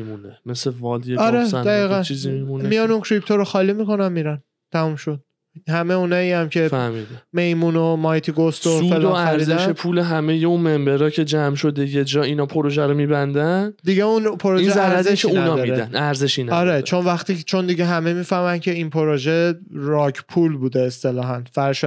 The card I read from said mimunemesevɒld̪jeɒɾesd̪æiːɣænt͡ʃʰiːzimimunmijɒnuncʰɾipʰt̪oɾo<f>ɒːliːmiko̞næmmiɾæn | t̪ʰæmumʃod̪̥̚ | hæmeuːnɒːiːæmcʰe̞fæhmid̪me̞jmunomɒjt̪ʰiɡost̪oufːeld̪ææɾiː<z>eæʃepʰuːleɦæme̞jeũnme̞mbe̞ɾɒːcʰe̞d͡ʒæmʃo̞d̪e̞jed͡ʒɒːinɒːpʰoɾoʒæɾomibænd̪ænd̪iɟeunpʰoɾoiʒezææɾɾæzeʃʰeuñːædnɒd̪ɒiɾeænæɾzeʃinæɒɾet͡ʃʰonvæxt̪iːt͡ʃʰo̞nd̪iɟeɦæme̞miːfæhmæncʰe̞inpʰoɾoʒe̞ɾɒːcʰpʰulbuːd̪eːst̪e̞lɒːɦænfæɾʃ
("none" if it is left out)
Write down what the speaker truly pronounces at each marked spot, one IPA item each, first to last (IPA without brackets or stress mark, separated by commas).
x, z